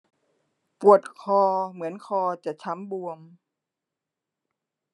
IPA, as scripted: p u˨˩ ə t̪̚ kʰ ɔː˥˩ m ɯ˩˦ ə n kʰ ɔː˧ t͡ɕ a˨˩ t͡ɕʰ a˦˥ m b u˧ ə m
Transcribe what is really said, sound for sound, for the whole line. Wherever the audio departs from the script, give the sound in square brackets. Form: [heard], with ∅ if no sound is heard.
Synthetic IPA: p u˨˩ ə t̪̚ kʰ [ɔː˧] m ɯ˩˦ ə n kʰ ɔː˧ t͡ɕ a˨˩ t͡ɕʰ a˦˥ m b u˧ ə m